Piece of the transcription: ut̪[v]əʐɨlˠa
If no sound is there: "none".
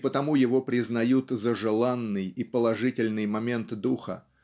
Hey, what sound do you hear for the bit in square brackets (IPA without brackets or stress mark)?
z